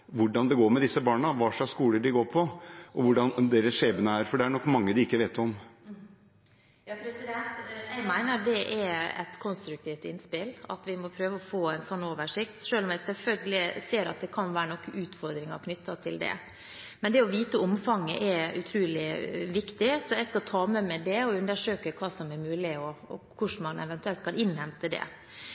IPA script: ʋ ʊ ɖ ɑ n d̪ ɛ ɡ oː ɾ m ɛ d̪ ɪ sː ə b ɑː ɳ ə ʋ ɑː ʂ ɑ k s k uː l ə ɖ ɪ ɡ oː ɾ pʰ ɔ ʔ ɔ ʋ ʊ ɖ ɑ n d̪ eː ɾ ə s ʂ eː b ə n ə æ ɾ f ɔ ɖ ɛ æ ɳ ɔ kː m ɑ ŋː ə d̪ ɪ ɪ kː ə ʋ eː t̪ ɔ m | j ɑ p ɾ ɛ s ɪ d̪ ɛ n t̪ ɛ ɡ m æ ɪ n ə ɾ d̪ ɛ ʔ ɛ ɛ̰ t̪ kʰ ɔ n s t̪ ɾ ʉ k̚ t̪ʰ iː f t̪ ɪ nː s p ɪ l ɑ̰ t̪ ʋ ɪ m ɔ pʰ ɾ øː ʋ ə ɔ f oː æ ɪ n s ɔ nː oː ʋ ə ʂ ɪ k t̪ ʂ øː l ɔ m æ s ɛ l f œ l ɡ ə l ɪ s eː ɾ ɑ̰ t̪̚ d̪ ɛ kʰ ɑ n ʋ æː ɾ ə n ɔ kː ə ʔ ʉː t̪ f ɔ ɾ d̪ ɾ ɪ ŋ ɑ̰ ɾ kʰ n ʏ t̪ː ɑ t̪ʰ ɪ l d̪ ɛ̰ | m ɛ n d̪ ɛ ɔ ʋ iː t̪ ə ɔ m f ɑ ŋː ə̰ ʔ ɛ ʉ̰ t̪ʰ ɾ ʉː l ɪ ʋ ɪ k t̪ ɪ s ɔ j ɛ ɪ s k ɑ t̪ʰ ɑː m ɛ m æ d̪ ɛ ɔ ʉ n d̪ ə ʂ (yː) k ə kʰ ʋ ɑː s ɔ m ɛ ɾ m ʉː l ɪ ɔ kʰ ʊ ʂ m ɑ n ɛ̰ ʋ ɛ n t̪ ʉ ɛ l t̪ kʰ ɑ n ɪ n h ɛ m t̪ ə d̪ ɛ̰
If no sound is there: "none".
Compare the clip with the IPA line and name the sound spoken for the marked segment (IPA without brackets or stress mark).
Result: øː